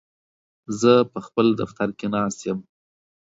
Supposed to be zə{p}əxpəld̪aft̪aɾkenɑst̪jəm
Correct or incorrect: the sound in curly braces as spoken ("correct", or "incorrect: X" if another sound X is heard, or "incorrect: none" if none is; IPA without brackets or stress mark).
correct